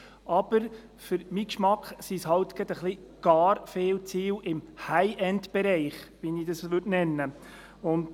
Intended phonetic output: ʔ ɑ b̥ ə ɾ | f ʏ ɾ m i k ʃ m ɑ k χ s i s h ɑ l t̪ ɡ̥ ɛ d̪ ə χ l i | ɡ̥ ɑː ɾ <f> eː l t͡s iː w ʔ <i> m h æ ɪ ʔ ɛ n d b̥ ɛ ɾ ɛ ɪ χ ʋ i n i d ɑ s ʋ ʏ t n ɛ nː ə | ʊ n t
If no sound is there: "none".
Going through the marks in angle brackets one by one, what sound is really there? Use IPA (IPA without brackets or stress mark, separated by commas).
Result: f, ɪ